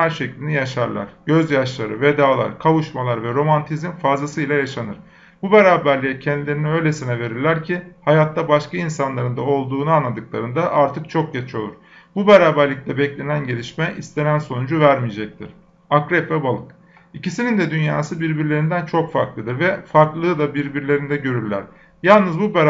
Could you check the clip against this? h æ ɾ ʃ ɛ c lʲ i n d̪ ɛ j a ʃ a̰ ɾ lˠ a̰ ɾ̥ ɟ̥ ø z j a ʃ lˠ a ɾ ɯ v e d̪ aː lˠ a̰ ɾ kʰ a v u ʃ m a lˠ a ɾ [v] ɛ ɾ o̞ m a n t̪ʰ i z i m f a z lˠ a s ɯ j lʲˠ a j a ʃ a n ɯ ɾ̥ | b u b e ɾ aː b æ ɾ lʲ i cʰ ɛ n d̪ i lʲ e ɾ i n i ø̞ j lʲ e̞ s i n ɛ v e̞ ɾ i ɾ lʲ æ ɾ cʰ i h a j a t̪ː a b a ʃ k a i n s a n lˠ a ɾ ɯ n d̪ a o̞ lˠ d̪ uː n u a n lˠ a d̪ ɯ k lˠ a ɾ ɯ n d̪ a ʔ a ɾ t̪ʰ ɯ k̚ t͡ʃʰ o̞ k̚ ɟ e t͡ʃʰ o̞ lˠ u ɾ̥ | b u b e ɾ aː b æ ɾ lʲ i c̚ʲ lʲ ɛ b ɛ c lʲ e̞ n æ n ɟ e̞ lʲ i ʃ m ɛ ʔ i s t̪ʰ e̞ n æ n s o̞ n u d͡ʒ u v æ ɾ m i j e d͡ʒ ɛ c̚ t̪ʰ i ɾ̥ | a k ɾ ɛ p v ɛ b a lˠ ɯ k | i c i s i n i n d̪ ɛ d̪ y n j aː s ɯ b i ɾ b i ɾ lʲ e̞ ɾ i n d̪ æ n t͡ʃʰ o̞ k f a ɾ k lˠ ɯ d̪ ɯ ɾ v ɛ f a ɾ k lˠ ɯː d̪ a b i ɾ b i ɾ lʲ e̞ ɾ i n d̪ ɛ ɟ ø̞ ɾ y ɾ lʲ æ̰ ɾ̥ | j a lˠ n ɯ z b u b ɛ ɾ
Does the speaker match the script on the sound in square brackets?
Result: yes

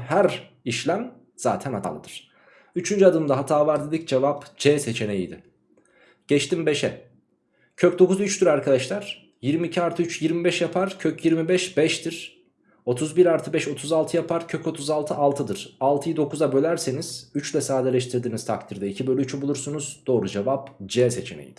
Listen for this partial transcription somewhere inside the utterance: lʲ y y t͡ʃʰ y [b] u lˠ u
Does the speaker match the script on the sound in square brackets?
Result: yes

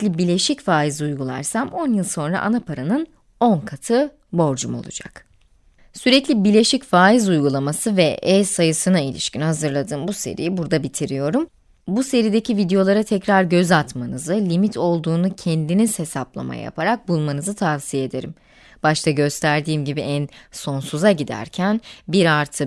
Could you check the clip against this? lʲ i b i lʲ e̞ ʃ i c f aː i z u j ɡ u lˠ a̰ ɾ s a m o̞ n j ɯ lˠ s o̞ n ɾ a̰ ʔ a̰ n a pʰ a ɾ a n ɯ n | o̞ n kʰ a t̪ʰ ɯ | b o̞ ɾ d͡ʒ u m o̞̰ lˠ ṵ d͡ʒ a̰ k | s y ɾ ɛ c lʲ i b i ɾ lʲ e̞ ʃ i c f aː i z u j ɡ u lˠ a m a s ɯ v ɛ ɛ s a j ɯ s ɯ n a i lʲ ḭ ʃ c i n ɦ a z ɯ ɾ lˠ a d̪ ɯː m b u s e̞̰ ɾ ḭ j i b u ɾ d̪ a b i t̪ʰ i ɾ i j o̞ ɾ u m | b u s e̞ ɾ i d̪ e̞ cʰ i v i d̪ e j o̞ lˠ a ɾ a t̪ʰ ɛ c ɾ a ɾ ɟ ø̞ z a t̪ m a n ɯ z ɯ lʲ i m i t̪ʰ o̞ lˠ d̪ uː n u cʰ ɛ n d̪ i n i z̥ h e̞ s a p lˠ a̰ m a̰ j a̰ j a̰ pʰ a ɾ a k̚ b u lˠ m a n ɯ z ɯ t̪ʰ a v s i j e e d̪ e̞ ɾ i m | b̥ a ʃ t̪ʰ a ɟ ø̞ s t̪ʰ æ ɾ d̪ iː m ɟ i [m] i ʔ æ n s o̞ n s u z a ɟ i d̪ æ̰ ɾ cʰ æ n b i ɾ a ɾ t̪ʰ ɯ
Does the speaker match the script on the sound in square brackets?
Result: no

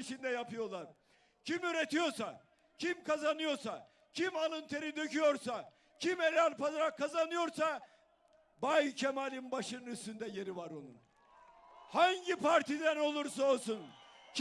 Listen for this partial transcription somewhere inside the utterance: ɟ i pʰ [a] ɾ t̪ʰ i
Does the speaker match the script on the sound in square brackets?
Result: yes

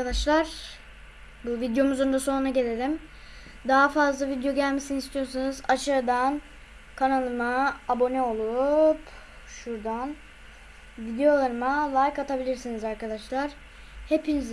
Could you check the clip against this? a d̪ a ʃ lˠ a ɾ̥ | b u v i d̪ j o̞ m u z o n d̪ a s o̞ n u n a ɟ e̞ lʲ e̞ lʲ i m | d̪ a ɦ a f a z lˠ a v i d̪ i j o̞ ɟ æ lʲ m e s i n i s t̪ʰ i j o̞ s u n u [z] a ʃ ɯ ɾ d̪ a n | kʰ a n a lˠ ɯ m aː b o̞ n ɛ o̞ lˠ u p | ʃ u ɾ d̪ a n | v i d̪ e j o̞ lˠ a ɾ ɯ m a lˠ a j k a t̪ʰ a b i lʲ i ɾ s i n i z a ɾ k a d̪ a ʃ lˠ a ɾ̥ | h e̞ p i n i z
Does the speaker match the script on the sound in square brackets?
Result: yes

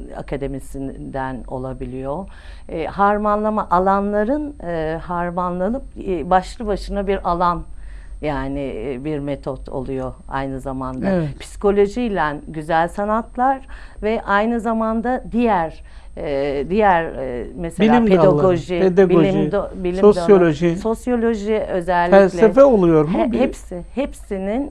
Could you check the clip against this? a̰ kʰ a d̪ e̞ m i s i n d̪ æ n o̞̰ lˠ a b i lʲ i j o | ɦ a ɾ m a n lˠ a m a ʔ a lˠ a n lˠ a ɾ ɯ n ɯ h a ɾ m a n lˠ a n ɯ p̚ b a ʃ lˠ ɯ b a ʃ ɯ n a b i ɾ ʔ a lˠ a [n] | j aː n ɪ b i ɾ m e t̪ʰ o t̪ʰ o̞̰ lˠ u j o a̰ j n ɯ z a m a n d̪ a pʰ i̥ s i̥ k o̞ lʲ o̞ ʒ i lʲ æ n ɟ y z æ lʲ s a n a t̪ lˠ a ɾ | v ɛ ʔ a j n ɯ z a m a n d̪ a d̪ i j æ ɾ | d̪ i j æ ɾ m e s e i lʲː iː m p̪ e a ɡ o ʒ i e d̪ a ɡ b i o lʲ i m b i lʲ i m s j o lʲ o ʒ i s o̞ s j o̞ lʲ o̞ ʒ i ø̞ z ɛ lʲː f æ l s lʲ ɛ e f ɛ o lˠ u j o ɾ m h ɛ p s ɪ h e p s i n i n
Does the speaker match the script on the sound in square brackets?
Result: yes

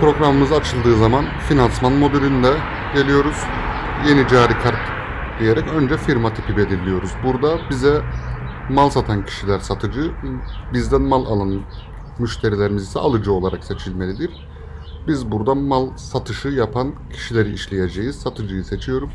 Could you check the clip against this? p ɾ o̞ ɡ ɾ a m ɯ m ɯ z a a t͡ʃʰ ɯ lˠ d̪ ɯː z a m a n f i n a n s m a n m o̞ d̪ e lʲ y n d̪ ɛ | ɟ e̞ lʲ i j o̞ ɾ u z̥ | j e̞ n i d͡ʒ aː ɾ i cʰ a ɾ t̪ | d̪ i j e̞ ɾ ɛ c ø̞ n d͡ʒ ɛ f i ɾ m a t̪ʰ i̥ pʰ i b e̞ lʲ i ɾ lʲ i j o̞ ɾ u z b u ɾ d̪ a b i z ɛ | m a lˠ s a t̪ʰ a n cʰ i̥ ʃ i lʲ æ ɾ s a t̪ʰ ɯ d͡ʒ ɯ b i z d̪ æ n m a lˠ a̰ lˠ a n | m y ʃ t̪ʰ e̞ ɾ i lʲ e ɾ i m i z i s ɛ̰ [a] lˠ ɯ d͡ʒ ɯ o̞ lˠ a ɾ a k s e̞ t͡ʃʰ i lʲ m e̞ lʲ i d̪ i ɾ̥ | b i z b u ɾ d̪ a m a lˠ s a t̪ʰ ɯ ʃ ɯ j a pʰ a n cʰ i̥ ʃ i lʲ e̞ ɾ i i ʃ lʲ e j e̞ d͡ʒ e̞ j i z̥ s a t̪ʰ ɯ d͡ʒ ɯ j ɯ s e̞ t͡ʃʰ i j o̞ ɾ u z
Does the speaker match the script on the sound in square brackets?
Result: yes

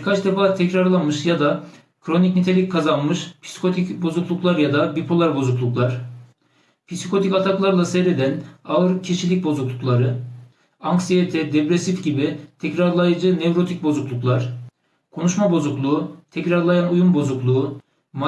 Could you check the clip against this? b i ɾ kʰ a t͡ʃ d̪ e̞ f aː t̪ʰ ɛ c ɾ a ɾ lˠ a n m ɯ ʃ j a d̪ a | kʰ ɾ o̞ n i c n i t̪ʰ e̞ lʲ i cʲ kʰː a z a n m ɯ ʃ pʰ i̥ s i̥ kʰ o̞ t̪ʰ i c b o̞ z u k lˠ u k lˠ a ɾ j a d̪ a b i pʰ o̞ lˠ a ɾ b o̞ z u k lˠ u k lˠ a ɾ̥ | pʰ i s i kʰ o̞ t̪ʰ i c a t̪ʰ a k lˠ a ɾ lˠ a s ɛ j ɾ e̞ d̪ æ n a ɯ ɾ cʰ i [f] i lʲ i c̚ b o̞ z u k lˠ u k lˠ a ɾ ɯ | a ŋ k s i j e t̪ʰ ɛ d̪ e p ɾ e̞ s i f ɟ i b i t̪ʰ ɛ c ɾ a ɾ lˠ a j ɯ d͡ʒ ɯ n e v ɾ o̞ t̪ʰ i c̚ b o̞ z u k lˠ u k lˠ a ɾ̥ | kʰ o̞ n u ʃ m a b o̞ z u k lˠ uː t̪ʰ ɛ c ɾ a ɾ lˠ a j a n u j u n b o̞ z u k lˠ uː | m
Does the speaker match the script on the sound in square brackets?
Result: no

